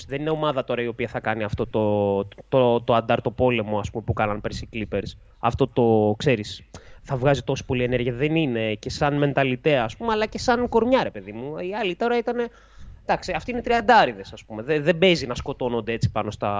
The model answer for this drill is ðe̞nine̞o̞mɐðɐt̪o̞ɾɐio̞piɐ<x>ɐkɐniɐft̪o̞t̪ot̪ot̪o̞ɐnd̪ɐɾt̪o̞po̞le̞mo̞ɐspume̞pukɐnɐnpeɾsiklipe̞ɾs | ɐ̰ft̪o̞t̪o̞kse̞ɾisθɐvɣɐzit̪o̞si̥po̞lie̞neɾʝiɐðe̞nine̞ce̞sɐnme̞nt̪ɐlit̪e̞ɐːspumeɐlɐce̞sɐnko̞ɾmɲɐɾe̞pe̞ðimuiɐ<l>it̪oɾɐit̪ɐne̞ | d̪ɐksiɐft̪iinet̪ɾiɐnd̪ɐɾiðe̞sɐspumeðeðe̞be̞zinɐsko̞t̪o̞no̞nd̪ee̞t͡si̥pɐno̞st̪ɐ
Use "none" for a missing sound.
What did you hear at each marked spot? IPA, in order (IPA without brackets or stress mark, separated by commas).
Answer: θ, l